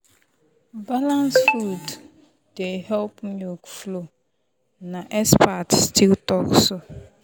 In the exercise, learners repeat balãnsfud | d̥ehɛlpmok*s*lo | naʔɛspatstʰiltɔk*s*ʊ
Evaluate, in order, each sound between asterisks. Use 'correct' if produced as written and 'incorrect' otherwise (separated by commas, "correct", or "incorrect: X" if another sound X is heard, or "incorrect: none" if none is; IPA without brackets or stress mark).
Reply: incorrect: f, correct